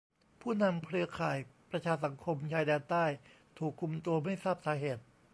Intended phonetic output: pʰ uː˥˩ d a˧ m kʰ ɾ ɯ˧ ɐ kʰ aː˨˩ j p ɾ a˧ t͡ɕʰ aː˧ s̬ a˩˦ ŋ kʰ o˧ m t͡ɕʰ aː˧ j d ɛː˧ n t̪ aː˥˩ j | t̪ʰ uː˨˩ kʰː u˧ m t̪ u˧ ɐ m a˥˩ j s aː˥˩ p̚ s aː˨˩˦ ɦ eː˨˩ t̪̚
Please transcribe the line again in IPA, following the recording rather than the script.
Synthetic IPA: pʰ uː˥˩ n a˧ m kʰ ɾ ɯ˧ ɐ kʰ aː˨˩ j p ɾ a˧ t͡ɕʰ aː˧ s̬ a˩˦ ŋ kʰ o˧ m t͡ɕʰ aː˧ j d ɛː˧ n t̪ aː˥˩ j | t̪ʰ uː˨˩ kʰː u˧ m t̪ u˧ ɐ m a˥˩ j s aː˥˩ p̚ s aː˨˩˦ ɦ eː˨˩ t̪̚